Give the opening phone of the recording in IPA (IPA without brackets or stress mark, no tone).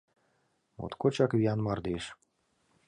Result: m